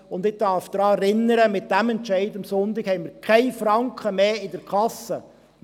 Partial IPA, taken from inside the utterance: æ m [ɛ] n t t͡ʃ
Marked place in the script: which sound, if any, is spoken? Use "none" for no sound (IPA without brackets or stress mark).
ɛ